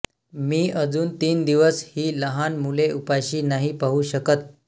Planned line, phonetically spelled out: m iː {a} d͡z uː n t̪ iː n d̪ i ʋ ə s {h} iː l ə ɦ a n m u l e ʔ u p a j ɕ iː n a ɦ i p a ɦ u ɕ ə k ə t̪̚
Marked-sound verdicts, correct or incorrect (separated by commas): incorrect, correct